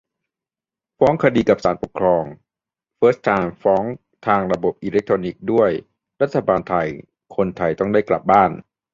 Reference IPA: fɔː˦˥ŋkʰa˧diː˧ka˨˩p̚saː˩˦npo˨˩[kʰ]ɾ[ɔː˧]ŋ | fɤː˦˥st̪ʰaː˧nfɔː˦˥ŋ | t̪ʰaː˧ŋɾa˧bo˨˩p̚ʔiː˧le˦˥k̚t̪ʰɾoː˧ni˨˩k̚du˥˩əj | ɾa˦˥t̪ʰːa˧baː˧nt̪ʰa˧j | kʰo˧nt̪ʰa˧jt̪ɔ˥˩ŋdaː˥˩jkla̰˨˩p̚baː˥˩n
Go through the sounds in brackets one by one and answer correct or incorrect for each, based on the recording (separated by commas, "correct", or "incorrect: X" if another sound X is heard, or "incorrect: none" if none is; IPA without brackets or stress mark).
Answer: correct, correct